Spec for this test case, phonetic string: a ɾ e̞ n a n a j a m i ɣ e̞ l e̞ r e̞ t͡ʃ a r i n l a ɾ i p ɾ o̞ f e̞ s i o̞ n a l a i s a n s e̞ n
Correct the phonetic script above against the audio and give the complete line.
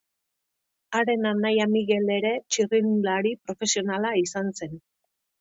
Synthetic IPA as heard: a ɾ e̞ n a n a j a m i ɣ e̞ l e̞ ɾ e̞ t͡ʃ i r i n l a ɾ i p ɾ o̞ f e̞ s i o̞ n a l a i s a n s e̞ n